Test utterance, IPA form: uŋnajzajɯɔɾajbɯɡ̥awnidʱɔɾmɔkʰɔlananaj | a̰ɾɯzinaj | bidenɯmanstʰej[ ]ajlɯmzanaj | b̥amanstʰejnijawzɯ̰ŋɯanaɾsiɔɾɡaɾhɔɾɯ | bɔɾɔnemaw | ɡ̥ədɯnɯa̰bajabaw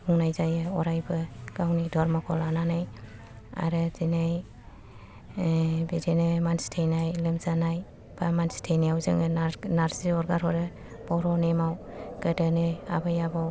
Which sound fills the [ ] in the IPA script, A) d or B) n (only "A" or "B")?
B